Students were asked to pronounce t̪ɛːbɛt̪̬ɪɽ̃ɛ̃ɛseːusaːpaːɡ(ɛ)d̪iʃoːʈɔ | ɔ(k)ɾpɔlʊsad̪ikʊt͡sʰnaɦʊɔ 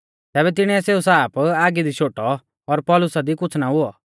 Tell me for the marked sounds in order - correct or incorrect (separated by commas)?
incorrect, incorrect